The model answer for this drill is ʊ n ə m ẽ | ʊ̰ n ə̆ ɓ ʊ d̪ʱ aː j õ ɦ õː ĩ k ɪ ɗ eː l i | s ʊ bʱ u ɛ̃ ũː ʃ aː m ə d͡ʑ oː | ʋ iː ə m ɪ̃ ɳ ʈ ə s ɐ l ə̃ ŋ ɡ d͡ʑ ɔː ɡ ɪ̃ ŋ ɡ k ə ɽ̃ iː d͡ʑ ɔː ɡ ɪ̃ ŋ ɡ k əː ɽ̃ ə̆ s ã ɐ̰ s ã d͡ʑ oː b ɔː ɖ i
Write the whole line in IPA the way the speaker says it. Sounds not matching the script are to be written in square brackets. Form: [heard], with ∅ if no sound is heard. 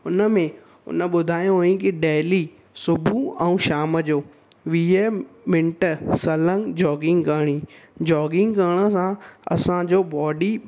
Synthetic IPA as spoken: ʊ n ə m ẽ | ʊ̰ n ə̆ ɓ ʊ d̪ʱ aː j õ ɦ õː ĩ k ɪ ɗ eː l i | s ʊ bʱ u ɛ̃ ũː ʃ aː m ə d͡ʑ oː | ʋ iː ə m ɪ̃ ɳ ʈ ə s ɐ l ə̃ ŋ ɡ d͡ʑ ɔː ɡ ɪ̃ ŋ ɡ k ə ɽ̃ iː d͡ʑ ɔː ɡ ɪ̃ ŋ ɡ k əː ɽ̃ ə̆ s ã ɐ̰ s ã d͡ʑ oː b ɔː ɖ i

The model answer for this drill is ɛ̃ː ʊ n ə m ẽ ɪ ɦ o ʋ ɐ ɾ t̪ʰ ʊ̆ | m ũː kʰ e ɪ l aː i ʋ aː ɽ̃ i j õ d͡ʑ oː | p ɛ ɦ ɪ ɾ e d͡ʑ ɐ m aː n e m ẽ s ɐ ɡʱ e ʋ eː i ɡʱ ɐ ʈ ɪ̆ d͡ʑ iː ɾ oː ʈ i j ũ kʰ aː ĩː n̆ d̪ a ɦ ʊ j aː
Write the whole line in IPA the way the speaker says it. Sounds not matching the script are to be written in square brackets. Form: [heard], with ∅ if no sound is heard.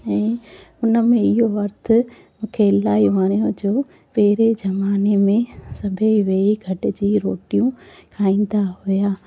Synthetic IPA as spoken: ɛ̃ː ʊ n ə m ẽ ɪ ɦ o ʋ ɐ ɾ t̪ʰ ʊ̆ | m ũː kʰ e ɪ l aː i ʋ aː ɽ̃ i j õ d͡ʑ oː | p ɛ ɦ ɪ ɾ e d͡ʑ ɐ m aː n e m ẽ s ɐ [bʱ] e ʋ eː i ɡʱ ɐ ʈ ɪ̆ d͡ʑ iː ɾ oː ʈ i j ũ kʰ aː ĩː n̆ d̪ a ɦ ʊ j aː

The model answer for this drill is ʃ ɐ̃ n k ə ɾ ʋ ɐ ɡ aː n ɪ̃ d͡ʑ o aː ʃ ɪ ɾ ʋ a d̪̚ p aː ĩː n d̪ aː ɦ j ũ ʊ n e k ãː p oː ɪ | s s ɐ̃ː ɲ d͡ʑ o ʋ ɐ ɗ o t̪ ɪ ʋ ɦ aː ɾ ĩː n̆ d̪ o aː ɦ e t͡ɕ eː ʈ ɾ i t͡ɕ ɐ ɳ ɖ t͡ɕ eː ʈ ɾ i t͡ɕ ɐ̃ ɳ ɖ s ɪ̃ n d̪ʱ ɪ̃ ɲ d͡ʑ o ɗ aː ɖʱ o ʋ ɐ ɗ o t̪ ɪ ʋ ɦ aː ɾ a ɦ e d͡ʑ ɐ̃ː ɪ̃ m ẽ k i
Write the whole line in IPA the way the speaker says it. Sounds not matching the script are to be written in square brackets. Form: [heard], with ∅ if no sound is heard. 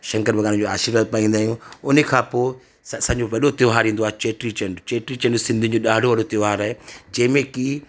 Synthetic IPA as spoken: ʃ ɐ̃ [ŋ] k ə ɾ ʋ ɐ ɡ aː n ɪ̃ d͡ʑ o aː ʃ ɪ ɾ ʋ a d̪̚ p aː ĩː n d̪ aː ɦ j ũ ʊ n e [kʰ] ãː p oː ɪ | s s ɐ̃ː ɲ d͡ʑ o ʋ ɐ ɗ o t̪ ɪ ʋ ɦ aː ɾ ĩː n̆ d̪ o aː ɦ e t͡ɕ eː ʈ ɾ i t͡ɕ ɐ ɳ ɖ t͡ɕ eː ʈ ɾ i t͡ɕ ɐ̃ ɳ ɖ s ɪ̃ n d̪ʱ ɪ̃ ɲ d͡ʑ o ɗ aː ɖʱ o ʋ ɐ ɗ o t̪ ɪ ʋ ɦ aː ɾ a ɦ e d͡ʑ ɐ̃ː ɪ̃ m ẽ k i

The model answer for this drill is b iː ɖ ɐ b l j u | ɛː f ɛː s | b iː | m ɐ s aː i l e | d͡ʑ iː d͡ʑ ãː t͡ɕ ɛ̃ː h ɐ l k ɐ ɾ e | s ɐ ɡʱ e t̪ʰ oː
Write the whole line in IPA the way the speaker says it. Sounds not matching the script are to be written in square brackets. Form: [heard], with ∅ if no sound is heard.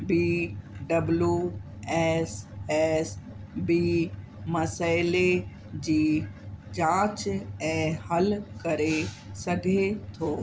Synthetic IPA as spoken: b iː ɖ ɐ b l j u | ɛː [s] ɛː s | b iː | m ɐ s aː [ɪ] l e | d͡ʑ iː d͡ʑ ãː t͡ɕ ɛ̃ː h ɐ l k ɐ ɾ e | s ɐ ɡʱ e t̪ʰ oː

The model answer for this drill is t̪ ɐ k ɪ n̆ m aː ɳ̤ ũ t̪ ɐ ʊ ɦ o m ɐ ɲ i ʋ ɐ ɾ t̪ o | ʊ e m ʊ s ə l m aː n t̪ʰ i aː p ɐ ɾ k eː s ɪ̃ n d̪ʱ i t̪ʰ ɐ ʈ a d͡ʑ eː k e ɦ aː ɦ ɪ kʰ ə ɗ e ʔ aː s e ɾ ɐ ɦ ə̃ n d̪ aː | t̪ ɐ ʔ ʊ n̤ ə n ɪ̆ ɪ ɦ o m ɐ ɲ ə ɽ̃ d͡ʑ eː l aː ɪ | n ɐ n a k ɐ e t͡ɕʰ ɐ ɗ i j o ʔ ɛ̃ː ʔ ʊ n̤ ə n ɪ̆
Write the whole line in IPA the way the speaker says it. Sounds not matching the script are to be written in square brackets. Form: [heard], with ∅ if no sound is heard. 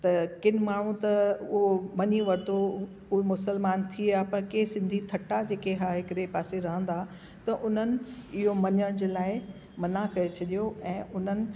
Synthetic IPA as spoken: t̪ ɐ k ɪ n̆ m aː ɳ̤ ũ t̪ ɐ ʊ ɦ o m ɐ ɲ i ʋ ɐ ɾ t̪ o | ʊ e m ʊ s ə l m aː n t̪ʰ i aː p ɐ ɾ k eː s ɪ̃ n d̪ʱ i t̪ʰ ɐ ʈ a d͡ʑ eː k e ɦ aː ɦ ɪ [k] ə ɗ e [p] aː s e ɾ ɐ ɦ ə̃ n d̪ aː | t̪ ɐ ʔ ʊ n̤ ə n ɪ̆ ɪ ɦ o m ɐ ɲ ə ɽ̃ d͡ʑ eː l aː ɪ | [m] ɐ n a k ɐ e t͡ɕʰ ɐ ɗ i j o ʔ ɛ̃ː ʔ ʊ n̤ ə n ɪ̆

